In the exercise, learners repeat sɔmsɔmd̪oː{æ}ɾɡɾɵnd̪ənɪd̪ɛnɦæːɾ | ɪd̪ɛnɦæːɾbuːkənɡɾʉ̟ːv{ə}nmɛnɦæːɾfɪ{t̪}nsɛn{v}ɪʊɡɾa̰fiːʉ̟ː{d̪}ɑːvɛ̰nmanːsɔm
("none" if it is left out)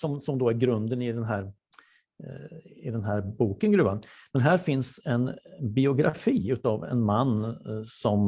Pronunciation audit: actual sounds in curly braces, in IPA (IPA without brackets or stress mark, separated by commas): æ, a, none, b, t̪